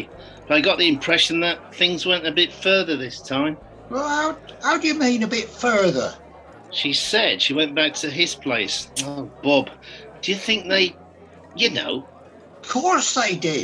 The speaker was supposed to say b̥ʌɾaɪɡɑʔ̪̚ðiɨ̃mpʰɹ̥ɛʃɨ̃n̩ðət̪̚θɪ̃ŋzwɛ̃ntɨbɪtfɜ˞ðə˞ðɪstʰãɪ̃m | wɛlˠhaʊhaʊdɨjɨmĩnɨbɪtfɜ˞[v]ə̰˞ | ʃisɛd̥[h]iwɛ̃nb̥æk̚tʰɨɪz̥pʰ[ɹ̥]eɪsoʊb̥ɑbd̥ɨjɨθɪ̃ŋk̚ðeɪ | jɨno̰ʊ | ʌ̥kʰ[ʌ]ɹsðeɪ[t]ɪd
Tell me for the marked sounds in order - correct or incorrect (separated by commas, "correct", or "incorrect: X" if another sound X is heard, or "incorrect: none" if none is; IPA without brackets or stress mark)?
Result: incorrect: ð, incorrect: ʃ, incorrect: l̥, incorrect: ɔ, incorrect: d